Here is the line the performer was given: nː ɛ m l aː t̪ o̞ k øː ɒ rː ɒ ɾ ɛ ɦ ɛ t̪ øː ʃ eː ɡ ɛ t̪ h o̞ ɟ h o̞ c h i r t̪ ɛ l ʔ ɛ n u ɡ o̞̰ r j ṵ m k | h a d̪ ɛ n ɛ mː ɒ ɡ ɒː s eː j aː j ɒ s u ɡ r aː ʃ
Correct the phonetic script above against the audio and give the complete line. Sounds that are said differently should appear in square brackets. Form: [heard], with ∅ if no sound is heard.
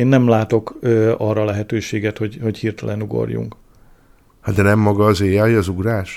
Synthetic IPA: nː ɛ m l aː t̪ o̞ k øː ɒ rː ɒ [l] ɛ ɦ ɛ t̪ øː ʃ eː ɡ ɛ t̪ h o̞ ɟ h o̞ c h i r t̪ ɛ l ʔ ɛ n u ɡ o̞̰ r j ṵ [ŋ] k | h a d̪ ɛ n ɛ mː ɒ ɡ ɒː [z] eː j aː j ɒ [z] u ɡ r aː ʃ